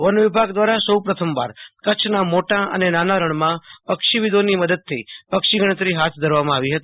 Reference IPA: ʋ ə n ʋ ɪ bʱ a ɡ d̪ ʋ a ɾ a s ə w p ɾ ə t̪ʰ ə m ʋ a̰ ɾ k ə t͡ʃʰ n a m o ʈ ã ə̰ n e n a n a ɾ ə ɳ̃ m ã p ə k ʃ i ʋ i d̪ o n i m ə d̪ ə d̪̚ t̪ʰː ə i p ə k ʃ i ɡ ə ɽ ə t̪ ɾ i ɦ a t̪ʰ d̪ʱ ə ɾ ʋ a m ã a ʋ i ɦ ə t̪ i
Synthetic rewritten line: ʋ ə n ʋ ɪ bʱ a ɡ d̪ ʋ a ɾ a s ə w p ɾ ə t̪ʰ ə m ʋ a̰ ɾ k ə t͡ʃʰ n a m o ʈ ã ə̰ n e n a n a ɾ ə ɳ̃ m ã p ə k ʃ i ʋ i d̪ o n i m ə d̪ ə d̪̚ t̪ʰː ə i p ə k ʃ i ɡ ə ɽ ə t̪ ɾ i ɦ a t̪ʰ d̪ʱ ə ɾ ʋ a m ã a ʋ i ɦ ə t̪ i